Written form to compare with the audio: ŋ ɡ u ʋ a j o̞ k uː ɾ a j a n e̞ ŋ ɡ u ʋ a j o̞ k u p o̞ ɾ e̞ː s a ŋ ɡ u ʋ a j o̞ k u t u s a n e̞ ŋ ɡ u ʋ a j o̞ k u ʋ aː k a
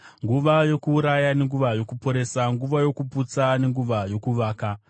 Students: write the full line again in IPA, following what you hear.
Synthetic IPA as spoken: ŋ ɡ u ʋ a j o̞ k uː ɾ a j a n e̞ ŋ ɡ u ʋ a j o̞ k u p o̞ ɾ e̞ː s a ŋ ɡ u ʋ a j o̞ k u p u t͡s a n e̞ ŋ ɡ u ʋ a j o̞ k u ʋ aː k a

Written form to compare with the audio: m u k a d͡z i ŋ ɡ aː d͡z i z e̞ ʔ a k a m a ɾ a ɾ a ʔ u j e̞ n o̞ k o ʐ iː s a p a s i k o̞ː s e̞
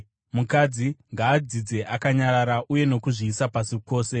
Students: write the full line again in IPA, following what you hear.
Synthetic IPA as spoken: m u k a d͡z i ŋ ɡ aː d͡z i d͡z e̞ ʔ a k a ɲ a ɾ a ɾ a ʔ u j e̞ n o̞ k u ʐ iː s a p a s i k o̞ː s e̞

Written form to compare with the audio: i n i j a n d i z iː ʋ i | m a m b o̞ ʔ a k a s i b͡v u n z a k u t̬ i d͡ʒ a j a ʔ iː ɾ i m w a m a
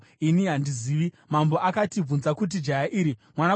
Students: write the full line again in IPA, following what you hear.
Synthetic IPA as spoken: i n i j a n d i z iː ʋ i | m a m b o̞ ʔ a k a t i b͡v u n z a k u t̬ i d͡ʒ a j a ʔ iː ɾ i m w a n a

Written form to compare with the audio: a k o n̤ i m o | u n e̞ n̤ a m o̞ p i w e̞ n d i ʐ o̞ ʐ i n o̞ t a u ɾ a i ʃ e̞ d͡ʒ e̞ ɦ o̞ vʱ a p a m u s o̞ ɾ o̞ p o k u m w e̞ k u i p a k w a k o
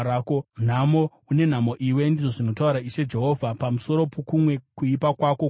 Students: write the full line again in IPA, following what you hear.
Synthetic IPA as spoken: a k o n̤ a m o | u n e̞ n̤ a m o̞ ʔ i w e̞ n d i ʐ o̞ ʐ i n o̞ t a u ɾ a i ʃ e̞ d͡ʒ e̞ ɦ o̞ vʱ a p a m u s o̞ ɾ o̞ p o k u m w e̞ k u i p a k w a k o

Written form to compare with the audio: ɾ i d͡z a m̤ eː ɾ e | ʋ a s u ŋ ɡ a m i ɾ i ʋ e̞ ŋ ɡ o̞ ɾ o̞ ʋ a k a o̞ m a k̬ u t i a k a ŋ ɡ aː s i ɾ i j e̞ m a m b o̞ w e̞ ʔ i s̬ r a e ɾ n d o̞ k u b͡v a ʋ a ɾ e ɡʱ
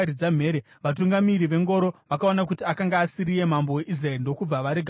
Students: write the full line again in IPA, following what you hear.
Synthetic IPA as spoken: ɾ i d͡z a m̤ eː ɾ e | ʋ a t u ŋ ɡ a m i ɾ i ʋ e̞ ŋ ɡ o̞ ɾ o̞ ʋ a k a o̞ n a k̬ u t i a k a ŋ ɡ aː s i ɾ i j e̞ m a m b o̞ w e̞ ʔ i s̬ r a e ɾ n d o̞ k u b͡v a ʋ a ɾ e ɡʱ

